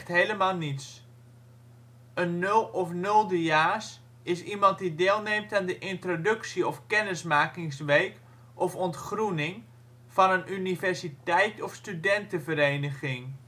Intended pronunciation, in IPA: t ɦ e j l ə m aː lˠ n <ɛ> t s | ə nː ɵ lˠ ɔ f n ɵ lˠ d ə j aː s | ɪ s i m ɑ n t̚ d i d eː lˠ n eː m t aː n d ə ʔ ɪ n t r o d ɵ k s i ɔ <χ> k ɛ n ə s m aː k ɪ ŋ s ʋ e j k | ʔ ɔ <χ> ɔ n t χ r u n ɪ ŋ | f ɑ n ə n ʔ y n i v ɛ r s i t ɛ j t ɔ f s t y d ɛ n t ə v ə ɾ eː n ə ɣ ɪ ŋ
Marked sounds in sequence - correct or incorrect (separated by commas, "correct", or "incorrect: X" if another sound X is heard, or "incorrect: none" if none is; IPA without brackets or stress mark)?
incorrect: i, incorrect: f, incorrect: f